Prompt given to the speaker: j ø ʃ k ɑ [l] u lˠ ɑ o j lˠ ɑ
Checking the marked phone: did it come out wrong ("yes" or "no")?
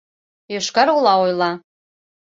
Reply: yes